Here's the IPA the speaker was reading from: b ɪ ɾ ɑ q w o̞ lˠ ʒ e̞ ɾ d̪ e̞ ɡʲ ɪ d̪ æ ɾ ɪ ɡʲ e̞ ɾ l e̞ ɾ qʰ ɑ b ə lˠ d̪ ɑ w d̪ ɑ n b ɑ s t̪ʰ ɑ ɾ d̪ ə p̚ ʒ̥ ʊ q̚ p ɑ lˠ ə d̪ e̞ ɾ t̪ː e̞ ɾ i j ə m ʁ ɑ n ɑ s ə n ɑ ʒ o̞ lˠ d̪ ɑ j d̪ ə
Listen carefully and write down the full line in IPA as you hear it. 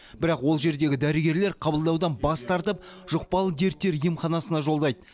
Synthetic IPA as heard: b ɪ ɾ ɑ q w o̞ lˠ ʒ e̞ ɾ d̪ e̞ ɡʲ ɪ d̪ æ ɾ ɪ ɡʲ e̞ ɾ l e̞ ɾ qʰ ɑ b ə lˠ d̪ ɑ w d̪ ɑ n b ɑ s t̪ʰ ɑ ɾ t̪ ə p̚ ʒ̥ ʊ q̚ p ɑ lˠ ə d̪ e̞ ɾ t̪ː e̞ ɾ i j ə m χ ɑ n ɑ s ə n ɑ ʒ o̞ lˠ d̪ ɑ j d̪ ə